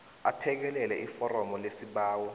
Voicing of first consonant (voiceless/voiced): voiceless